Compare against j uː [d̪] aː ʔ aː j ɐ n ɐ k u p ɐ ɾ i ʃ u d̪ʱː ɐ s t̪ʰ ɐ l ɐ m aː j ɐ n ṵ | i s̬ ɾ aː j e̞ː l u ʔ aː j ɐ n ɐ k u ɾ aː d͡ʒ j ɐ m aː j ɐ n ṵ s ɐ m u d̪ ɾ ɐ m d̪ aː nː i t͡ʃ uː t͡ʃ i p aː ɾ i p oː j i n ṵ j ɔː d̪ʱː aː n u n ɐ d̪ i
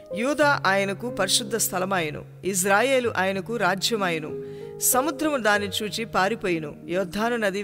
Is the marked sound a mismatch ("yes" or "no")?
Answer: no